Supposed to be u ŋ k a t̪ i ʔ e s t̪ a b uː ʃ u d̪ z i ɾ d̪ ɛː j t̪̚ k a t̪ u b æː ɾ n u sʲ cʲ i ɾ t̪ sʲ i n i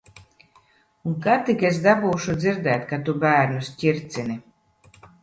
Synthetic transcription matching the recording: u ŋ k a t̪ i k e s d̪ a b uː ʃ u d̪ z i ɾ d̪ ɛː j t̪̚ k a t̪ u b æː ɾ n u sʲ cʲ i ɾ t̪ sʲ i n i